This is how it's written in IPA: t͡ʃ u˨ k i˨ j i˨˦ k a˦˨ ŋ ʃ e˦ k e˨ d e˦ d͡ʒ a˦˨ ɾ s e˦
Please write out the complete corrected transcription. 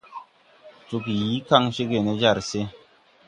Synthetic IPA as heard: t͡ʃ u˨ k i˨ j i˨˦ k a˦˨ ŋ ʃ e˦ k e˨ n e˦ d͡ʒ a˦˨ ɾ s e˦